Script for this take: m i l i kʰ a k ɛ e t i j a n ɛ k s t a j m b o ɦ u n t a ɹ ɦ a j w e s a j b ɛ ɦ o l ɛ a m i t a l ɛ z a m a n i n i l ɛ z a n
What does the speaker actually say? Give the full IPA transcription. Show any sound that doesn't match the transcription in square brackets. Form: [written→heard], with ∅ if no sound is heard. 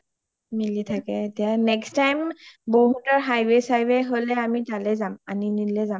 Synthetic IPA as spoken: m i l i [kʰ→tʰ] a k ɛ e t i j a n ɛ k s t a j m b o ɦ u [n→∅] t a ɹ ɦ a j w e s a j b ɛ ɦ o l ɛ a m i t a l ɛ z a m a n i n i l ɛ z a [n→m]